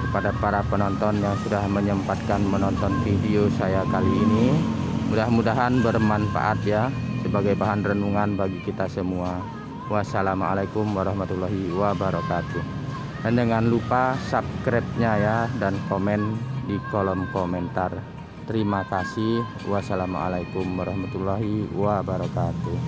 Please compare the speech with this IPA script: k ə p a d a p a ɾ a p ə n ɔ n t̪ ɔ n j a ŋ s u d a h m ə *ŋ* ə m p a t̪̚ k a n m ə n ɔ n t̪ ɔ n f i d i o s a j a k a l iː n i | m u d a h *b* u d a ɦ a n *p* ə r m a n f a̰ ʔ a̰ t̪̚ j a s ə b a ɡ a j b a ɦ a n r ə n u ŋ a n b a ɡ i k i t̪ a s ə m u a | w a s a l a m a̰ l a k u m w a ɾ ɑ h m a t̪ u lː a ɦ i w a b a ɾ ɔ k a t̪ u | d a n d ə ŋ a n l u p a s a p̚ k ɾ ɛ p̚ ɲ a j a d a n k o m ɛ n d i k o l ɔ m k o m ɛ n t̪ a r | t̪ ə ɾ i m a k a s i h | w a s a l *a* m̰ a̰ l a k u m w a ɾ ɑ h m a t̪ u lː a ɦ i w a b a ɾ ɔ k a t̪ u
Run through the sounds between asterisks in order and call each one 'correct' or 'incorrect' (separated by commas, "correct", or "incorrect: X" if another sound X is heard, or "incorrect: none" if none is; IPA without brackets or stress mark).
incorrect: ɲ, incorrect: m, incorrect: b, correct